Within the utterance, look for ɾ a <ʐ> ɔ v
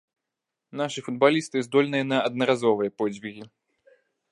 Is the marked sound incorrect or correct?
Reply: incorrect